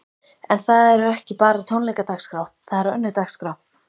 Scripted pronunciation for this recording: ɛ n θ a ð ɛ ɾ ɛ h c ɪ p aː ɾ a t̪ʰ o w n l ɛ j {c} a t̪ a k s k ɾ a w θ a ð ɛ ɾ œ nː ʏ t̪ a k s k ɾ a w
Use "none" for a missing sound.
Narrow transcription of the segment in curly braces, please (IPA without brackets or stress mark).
k